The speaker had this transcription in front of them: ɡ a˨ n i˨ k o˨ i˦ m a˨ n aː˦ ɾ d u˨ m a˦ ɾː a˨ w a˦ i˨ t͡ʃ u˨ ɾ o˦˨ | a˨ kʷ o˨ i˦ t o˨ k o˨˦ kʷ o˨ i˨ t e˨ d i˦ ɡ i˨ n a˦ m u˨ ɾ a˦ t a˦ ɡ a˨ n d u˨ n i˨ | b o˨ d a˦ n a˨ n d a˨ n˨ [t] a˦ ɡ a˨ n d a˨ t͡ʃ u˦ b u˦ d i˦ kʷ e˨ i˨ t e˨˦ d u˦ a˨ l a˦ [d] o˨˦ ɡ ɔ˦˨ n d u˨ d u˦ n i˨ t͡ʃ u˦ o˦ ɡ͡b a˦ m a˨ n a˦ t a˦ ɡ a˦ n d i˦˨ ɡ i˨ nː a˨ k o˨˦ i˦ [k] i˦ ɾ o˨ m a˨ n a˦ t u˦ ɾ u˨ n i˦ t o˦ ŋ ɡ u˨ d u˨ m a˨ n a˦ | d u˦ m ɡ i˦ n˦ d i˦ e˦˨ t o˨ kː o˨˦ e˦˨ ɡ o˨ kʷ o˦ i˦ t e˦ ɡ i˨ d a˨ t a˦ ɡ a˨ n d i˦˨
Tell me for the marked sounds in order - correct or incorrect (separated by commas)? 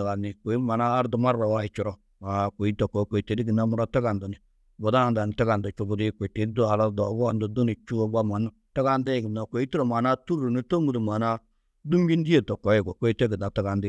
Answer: correct, correct, incorrect